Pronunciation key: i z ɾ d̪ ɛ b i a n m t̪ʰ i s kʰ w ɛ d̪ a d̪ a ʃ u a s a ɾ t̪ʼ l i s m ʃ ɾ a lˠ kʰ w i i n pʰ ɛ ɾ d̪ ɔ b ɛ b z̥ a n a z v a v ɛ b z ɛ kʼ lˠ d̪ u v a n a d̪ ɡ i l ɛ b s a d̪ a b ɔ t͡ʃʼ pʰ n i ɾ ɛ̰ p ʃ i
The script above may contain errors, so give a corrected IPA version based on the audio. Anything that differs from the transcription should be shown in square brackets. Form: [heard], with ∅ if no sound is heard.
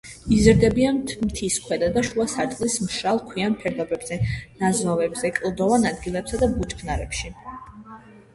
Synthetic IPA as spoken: i z ɾ d̪ ɛ b i a n m t̪ʰ i s kʰ w ɛ d̪ a d̪ a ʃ u a s a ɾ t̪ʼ l i s m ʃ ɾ a lˠ kʰ w i [a] n pʰ ɛ ɾ d̪ ɔ b ɛ b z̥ [ɛ] n a z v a v ɛ b z ɛ kʼ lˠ d̪ [ɔ] v a n a d̪ ɡ i l ɛ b s a d̪ a b [u] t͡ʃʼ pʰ n [a] ɾ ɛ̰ p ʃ i